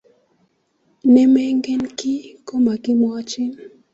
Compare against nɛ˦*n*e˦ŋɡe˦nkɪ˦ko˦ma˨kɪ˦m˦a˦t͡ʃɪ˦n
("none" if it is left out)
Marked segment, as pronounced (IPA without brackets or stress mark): m